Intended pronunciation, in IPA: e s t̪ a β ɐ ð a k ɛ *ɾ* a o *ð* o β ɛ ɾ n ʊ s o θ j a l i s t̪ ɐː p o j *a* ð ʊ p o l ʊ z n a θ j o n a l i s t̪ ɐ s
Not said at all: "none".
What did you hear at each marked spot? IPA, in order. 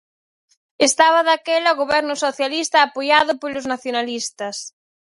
l, ɣ, a

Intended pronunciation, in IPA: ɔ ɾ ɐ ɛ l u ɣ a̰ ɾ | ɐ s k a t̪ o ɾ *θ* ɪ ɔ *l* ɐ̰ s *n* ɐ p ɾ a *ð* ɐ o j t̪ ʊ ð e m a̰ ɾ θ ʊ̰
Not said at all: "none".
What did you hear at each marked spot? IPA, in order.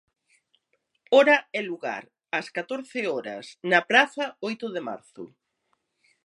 θ, ɾ, n, θ

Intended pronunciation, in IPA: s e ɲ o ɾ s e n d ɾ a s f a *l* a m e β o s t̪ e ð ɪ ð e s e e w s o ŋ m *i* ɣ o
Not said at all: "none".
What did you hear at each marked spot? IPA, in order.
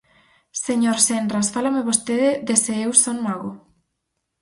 l, a

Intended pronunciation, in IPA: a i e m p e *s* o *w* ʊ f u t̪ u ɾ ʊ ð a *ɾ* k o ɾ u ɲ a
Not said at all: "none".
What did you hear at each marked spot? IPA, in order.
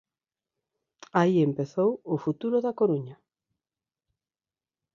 θ, w, none

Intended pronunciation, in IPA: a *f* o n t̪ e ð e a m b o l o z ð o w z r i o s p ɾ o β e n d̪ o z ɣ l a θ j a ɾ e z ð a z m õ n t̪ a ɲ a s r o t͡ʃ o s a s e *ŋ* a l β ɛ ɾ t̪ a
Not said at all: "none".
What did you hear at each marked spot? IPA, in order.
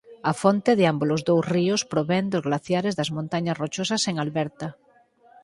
f, ŋ

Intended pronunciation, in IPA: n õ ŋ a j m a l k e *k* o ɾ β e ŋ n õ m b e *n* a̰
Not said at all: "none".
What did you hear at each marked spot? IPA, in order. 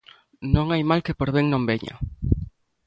p, ɲ

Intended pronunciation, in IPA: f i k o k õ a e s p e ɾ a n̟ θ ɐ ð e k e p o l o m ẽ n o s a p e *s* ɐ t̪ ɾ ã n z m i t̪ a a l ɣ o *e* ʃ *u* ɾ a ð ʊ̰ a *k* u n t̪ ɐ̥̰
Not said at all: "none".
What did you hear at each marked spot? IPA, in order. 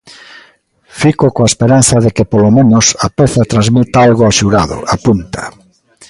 θ, a, u, p

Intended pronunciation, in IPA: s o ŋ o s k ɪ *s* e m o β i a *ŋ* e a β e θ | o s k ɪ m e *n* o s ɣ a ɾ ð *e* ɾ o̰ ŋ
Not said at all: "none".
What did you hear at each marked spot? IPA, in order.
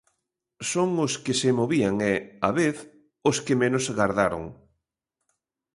s, ŋ, n, a

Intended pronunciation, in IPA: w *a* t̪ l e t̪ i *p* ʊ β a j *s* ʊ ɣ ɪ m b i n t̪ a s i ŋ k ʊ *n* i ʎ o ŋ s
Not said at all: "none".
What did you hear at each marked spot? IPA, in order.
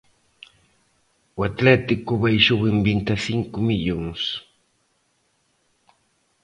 a, k, ʃ, m

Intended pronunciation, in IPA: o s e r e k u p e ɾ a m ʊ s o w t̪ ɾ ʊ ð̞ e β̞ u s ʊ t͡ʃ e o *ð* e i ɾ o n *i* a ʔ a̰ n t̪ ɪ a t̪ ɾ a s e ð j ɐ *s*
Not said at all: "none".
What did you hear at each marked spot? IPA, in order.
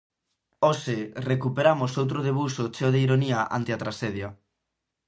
ð, i, none

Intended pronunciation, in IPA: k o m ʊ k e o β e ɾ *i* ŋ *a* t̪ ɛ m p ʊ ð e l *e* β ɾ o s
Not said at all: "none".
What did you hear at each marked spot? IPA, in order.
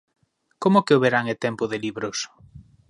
a, e, i

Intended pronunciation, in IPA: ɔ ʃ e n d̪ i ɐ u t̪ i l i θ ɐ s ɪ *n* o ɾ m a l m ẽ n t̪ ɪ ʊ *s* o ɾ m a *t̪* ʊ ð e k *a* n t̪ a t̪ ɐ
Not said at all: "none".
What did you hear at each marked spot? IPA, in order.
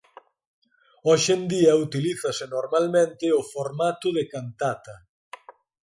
n, f, t̪, a

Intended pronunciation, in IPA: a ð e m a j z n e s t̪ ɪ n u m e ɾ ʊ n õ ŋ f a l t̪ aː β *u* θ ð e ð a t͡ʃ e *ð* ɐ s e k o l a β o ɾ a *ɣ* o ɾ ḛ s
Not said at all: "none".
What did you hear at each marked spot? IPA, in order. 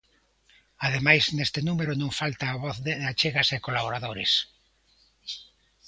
ɔ, ɣ, ð

